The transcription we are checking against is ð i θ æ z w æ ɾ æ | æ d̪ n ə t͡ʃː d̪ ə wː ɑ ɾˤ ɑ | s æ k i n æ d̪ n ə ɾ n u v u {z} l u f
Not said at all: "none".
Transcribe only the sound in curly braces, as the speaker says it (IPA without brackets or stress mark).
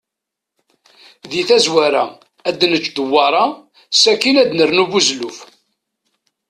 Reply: z